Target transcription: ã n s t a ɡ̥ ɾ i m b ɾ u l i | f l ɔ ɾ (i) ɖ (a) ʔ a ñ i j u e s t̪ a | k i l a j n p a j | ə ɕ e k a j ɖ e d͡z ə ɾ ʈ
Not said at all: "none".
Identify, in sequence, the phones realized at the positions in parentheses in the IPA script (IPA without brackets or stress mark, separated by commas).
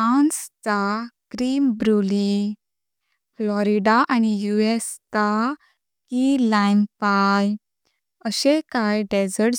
i, a